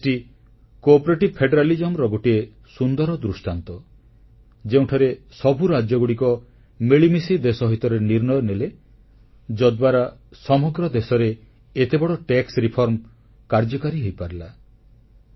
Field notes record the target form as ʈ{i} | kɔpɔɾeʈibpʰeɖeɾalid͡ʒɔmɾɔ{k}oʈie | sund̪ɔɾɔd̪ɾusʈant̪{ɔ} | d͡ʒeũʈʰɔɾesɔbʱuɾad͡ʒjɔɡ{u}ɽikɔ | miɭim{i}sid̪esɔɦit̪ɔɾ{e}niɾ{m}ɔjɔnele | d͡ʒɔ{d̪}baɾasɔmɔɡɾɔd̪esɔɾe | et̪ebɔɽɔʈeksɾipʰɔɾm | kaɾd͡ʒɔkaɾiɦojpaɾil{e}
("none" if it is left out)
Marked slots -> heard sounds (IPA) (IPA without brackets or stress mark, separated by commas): i, ɡ, ɔ, u, i, e, n, d̪, a